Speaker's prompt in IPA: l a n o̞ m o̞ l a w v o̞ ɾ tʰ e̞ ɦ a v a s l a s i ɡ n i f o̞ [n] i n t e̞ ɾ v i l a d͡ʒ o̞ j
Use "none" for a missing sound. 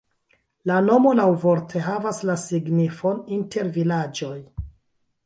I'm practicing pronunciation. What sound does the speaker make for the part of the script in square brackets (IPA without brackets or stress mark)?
n